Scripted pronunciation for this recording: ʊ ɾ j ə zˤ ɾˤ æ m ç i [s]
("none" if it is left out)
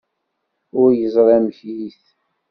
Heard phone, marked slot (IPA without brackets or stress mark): θ